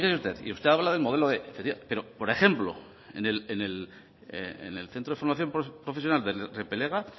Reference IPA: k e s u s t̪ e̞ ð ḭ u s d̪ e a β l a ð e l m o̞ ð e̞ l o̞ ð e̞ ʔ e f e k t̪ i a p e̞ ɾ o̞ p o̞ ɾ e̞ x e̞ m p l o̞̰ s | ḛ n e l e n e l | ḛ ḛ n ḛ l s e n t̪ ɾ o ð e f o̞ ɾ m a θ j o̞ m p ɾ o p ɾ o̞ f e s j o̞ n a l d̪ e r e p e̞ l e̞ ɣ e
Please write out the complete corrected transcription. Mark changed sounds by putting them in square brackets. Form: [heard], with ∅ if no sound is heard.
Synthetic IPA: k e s u s t̪ e̞ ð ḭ u s [t̪] e a β l a ð e l m o̞ ð e̞ l o̞ ð e̞ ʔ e f e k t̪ i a p e̞ ɾ o̞ p o̞ ɾ e̞ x e̞ m p l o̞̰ [∅] | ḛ n e l e n e l | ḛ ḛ n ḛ l [θ] e n t̪ ɾ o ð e f o̞ ɾ m a θ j o̞ m p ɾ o p ɾ o̞ f e s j o̞ n a l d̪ e r e p e̞ l e̞ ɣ [a]